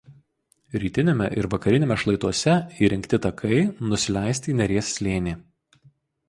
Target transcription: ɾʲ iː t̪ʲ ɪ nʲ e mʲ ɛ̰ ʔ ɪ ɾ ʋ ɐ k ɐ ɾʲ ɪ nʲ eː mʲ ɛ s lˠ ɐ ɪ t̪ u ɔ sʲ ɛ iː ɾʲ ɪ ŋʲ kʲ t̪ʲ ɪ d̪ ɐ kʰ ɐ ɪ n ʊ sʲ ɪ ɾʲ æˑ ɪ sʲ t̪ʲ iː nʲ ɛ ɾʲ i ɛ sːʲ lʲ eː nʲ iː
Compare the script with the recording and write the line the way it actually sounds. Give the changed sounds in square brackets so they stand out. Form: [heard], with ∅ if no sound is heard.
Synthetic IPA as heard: ɾʲ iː t̪ʲ ɪ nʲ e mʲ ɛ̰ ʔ ɪ ɾ ʋ ɐ k ɐ ɾʲ ɪ nʲ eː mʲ ɛ [ʃ] lˠ ɐ ɪ t̪ u ɔ sʲ ɛ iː ɾʲ ɪ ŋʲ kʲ t̪ʲ ɪ [t̪] ɐ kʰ ɐ ɪ n ʊ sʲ ɪ [lʲ] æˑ ɪ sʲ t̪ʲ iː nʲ ɛ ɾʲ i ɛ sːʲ lʲ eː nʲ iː